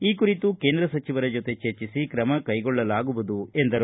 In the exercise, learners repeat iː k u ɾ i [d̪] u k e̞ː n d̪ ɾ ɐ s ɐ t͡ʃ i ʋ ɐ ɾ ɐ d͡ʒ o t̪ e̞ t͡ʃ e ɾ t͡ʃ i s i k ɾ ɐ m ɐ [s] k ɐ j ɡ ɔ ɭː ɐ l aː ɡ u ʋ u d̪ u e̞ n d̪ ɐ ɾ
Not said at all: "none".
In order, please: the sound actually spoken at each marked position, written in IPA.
t̪, none

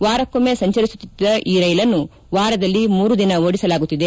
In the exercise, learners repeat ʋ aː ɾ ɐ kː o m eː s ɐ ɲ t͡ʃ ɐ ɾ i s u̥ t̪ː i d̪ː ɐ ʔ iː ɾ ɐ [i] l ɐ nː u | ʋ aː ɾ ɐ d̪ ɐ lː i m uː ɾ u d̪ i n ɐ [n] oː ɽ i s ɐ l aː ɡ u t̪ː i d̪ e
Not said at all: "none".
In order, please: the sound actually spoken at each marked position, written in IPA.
j, none

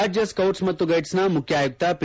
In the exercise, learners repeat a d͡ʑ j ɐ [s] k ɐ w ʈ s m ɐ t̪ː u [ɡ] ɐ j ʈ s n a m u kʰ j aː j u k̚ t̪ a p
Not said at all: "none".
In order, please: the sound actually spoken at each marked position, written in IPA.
s, ɡ

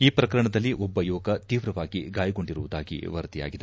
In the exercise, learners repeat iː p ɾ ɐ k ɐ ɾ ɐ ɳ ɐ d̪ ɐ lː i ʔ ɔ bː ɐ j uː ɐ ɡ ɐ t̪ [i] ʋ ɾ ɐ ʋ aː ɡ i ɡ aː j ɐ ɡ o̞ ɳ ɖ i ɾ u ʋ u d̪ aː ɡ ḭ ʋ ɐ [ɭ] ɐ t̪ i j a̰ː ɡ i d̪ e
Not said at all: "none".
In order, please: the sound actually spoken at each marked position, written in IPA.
iː, ɾ

